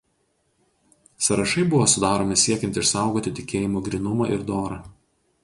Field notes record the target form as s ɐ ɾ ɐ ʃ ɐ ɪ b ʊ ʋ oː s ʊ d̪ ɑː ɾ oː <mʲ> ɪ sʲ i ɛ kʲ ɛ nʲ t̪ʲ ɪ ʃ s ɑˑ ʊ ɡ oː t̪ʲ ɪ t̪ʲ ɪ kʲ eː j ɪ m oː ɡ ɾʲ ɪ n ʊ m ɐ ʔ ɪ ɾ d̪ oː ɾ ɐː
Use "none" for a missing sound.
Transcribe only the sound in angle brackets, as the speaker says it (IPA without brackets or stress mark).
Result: mʲ